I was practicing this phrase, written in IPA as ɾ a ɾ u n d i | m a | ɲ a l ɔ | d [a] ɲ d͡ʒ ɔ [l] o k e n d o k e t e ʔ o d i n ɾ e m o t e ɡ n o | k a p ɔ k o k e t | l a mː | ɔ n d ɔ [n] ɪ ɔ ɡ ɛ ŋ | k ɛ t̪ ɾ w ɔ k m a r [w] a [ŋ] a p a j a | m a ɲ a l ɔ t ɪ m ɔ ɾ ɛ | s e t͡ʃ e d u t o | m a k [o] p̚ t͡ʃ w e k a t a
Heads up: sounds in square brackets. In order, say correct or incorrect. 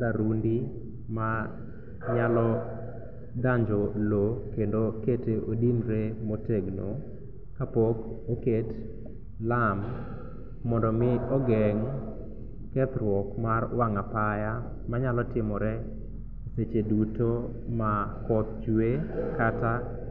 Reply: correct, correct, incorrect, correct, correct, incorrect

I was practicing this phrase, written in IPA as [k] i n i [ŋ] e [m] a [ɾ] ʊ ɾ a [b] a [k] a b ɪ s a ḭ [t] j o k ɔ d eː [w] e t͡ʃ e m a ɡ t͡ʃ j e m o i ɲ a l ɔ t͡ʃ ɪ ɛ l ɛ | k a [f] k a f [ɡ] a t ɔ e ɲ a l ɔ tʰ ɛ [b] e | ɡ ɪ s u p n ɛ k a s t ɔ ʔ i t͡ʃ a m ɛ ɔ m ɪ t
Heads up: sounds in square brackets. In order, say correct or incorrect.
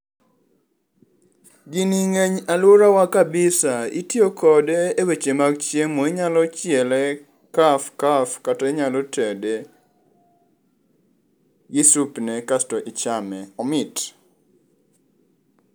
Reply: incorrect, correct, incorrect, incorrect, incorrect, correct, correct, correct, correct, incorrect, incorrect

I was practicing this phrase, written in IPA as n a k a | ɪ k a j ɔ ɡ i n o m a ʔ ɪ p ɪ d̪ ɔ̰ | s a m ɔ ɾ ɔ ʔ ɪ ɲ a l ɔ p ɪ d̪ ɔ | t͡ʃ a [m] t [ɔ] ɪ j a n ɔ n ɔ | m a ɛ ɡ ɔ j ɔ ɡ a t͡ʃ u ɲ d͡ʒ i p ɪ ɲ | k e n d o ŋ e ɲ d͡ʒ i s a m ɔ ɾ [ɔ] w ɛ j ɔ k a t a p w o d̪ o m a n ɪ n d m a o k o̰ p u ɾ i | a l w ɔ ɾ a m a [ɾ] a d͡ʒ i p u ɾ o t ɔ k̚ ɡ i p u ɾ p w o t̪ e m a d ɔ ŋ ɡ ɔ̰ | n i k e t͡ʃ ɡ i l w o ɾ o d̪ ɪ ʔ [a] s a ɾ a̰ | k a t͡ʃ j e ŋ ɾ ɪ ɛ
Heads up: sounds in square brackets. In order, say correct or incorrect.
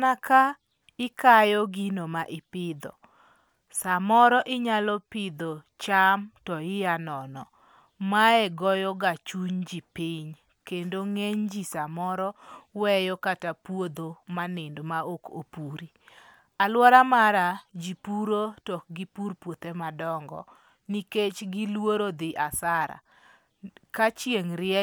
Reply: correct, correct, correct, correct, correct

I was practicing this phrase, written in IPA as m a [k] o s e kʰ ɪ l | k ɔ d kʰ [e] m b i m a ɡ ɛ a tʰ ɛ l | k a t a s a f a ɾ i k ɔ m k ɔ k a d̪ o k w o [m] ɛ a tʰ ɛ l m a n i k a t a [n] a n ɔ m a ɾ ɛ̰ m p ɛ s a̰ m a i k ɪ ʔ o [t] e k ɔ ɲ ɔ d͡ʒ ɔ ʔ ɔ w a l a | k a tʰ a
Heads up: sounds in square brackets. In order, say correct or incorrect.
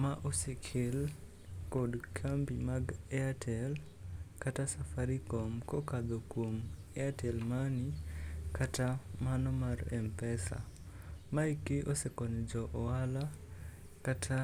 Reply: incorrect, incorrect, correct, incorrect, incorrect

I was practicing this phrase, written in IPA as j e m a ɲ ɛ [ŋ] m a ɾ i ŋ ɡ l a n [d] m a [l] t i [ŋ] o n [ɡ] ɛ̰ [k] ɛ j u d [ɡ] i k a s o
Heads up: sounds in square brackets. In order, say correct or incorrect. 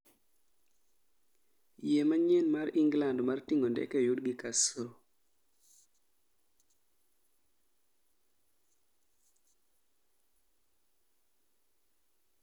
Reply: incorrect, correct, incorrect, correct, incorrect, correct, correct

